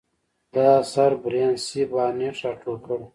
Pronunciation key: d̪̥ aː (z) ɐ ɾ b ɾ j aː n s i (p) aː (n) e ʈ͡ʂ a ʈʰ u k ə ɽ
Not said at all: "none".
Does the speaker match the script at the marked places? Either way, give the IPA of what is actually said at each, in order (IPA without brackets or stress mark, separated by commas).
s, b, n